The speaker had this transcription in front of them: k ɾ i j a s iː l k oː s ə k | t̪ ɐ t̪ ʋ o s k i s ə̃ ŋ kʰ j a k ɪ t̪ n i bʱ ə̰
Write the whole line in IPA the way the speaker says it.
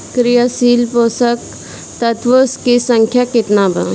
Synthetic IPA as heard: k ɾ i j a s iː l p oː s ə k | t̪ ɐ t̪ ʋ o s k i s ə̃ ŋ kʰ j a k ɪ t̪ n a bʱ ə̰